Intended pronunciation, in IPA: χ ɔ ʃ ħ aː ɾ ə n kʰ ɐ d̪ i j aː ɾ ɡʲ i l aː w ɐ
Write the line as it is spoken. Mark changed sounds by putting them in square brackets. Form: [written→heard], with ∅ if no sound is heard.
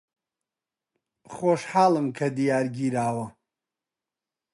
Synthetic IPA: χ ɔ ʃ ħ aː [ɾ→l] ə [n→m] kʰ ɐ d̪ i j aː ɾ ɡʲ i [l→ɾ] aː w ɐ